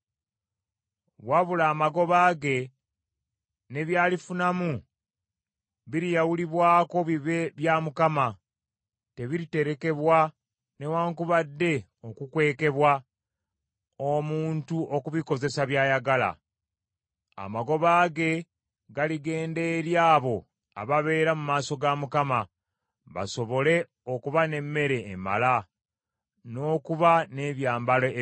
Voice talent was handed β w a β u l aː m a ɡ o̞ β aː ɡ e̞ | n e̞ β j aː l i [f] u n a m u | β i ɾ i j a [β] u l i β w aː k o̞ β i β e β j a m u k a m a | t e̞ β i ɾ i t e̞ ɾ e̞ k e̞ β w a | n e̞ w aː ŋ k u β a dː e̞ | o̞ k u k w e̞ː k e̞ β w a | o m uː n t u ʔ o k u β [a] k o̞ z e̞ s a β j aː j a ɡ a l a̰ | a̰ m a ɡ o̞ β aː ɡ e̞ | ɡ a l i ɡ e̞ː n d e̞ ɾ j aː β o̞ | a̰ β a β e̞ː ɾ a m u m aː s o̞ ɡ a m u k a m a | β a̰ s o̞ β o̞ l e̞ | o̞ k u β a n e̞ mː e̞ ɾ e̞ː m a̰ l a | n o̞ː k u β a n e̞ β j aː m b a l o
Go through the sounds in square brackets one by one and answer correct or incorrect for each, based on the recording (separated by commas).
correct, incorrect, incorrect